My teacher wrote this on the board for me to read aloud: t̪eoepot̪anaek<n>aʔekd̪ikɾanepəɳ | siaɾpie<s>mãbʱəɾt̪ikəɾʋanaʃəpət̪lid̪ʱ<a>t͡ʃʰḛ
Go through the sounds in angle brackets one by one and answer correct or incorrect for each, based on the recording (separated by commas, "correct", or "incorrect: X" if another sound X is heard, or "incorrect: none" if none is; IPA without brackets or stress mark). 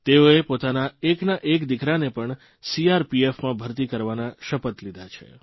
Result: correct, incorrect: f, correct